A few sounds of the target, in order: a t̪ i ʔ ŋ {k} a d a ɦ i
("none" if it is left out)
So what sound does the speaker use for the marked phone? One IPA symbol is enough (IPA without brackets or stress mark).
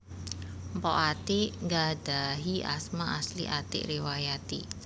ɡ